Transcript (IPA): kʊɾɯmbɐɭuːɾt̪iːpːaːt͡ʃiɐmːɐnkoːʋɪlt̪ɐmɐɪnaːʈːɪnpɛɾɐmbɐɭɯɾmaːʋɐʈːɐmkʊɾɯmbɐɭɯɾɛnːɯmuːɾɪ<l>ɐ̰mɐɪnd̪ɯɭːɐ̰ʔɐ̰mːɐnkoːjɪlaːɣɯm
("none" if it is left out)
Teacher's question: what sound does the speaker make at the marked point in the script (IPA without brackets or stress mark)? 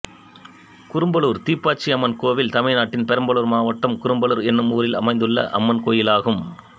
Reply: l